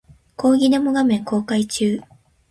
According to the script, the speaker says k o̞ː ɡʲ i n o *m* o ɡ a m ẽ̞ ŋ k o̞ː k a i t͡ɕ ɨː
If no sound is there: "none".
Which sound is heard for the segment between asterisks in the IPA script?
m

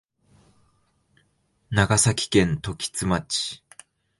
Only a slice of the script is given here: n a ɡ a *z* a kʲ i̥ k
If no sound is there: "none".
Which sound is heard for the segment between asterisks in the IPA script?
s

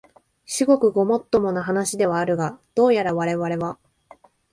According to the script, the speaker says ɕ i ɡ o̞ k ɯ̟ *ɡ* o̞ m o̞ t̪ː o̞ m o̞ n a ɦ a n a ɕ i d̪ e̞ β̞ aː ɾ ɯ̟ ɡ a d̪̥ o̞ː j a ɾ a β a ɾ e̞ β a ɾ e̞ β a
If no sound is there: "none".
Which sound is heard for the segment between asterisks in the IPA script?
ɡ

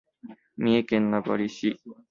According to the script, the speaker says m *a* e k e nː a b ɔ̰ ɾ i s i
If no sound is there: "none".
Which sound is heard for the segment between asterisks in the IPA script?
i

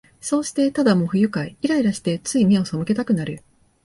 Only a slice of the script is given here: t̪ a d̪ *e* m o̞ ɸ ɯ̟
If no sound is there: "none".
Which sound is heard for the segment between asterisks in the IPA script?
a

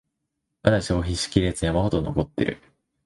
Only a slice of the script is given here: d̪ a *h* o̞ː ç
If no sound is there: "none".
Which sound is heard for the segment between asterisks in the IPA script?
ɕ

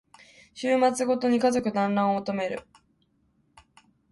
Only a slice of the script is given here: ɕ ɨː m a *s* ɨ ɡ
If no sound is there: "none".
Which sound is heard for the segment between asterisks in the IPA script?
t͡s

